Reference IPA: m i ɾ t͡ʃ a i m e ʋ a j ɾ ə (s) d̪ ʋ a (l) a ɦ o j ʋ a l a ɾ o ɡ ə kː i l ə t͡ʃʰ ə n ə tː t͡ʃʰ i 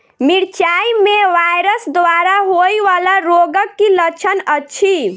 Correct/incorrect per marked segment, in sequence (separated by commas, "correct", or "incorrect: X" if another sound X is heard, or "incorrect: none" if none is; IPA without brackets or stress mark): correct, incorrect: ɾ